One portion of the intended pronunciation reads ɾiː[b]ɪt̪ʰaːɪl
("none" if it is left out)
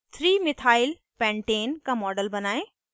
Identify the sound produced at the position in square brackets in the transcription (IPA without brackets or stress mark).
m